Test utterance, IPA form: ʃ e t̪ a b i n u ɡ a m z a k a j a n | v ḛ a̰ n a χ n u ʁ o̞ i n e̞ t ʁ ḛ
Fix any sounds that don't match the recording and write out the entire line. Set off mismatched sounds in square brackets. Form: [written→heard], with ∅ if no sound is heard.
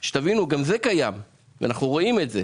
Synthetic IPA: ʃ e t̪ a [b→v] i n u ɡ a m z [a→e] k a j a [n→m] | v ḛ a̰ n a χ n u ʁ o̞ i [n→m] e̞ t [ʁ→z] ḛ